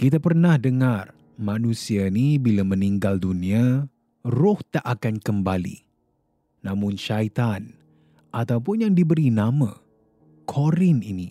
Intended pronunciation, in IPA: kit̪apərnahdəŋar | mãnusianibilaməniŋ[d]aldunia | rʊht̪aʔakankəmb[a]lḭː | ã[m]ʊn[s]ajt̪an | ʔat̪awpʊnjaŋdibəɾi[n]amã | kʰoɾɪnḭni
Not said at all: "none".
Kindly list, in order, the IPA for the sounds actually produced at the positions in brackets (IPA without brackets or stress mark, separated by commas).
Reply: ɡ, a, m, ʃ, n